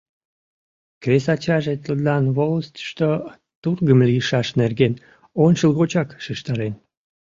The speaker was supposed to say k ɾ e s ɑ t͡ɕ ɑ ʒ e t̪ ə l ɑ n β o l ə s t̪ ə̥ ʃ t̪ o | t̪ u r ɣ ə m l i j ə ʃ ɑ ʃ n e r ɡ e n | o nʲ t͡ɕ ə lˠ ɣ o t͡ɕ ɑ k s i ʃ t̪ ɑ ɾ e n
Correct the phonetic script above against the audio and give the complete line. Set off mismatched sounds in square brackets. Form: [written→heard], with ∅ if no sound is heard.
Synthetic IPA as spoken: k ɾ e s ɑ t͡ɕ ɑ ʒ e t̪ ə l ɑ n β o l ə s t̪ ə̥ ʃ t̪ o | t̪ u r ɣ ə m l i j ə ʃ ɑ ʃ n e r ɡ e n | o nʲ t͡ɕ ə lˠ ɣ o t͡ɕ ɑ k [s→ʃ] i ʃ t̪ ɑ ɾ e n